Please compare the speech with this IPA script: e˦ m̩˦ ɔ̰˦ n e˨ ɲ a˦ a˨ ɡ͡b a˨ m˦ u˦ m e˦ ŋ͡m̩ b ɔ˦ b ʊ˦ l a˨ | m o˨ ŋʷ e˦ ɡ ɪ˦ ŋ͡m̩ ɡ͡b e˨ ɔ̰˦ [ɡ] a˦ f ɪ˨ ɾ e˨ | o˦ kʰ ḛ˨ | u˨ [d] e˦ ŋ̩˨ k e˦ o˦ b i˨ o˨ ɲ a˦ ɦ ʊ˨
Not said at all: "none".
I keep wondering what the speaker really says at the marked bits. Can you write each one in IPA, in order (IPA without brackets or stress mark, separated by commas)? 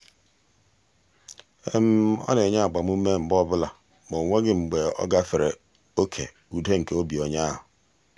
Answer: ɡ, d